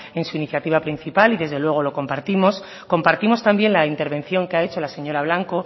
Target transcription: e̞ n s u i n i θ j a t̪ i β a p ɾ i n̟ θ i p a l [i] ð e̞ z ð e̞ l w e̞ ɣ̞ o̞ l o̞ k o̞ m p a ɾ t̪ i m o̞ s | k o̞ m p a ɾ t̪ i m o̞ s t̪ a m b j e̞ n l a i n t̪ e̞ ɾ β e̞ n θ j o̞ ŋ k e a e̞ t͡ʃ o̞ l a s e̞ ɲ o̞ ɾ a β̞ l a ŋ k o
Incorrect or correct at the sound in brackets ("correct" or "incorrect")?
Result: correct